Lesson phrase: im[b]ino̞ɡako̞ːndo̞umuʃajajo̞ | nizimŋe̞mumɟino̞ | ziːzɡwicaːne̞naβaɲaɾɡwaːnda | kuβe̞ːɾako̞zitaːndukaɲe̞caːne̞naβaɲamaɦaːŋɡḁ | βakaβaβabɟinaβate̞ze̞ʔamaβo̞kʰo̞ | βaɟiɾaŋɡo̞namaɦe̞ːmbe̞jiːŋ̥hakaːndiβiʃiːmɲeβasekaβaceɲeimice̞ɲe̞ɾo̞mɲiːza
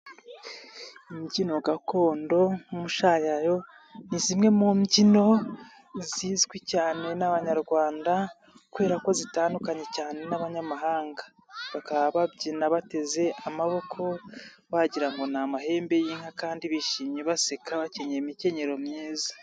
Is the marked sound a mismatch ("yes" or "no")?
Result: yes